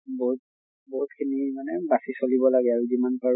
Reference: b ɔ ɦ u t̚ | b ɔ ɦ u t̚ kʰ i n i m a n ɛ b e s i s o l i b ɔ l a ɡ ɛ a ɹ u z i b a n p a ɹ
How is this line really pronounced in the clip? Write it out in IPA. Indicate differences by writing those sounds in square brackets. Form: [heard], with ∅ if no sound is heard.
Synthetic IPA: b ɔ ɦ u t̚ | b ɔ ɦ u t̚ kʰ i n i m a n ɛ b [a] s i s o l i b ɔ l a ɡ ɛ a ɹ u z i [m] a n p a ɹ